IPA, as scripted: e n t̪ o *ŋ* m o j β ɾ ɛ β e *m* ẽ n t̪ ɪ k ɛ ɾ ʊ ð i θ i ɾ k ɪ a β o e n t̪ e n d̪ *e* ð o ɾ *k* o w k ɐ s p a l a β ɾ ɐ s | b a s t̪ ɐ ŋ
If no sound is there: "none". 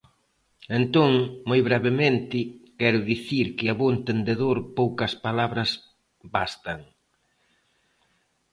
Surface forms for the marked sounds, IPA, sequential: ŋ, m, e, p

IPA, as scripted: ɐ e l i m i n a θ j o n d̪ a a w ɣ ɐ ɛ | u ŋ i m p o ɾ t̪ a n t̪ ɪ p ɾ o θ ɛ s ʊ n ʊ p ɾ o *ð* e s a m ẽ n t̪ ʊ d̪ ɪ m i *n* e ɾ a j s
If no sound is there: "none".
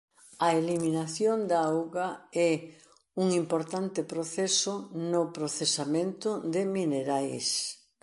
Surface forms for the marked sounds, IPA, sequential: θ, n

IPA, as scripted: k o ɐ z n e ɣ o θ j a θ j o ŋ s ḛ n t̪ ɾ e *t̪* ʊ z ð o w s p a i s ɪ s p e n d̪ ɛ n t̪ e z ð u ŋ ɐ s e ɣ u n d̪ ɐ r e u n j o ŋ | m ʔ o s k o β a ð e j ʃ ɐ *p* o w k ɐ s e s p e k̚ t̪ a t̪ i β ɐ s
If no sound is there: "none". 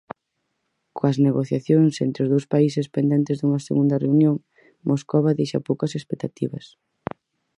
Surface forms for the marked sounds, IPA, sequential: none, p

